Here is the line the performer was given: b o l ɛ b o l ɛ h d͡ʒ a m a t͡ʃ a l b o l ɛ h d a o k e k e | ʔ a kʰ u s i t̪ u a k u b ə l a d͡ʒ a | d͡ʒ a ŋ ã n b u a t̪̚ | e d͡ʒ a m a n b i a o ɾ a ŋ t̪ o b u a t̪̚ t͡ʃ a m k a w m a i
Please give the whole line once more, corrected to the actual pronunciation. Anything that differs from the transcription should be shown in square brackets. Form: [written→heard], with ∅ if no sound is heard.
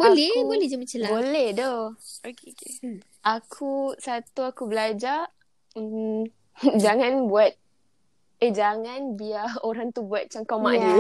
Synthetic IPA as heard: b o l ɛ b o l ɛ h d͡ʒ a m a t͡ʃ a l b o l ɛ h d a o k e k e | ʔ a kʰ u s [i→a] t̪ u a k u b ə l a d͡ʒ a | d͡ʒ a ŋ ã n b u a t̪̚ | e d͡ʒ a [m→ŋ] a n b i a o ɾ a ŋ t̪ [o→u] b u a t̪̚ t͡ʃ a [m→ŋ] k a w m a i